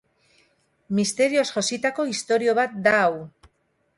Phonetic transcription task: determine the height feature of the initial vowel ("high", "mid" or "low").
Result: high